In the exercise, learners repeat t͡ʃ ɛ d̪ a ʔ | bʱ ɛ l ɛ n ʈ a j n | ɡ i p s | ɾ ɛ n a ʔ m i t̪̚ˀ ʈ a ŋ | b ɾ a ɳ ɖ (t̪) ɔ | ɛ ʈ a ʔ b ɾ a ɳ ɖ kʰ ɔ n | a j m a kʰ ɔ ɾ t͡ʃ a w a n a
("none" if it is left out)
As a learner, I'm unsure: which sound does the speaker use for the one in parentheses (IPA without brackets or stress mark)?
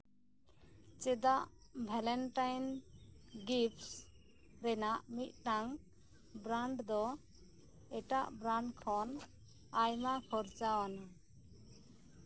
d̪